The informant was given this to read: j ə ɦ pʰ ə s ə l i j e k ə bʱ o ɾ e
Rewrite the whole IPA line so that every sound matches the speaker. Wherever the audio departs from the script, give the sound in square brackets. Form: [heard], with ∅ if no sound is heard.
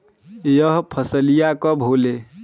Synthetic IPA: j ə ɦ pʰ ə s ə l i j [a] k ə bʱ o [l] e